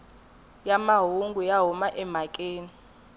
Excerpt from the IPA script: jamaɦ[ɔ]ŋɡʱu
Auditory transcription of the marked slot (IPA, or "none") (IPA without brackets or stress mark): u